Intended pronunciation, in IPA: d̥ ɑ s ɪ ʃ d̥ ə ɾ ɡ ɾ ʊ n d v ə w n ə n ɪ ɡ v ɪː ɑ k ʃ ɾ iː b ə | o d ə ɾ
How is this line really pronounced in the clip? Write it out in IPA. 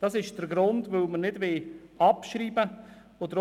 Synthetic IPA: d̥ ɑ s ɪ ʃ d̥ ə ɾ ɡ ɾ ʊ n d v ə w m ə n ɪ d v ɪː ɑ p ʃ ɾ iː b ə | o d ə ɾ